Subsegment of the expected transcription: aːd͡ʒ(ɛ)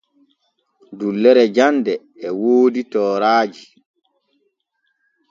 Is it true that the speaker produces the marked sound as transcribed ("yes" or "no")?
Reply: no